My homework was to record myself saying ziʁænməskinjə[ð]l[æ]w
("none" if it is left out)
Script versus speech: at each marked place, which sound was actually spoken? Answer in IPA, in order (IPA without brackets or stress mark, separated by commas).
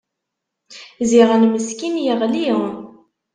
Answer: ʁ, i